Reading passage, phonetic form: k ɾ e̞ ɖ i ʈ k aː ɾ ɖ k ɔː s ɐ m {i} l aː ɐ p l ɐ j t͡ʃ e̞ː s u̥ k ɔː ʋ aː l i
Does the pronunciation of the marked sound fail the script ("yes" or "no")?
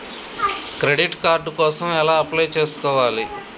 yes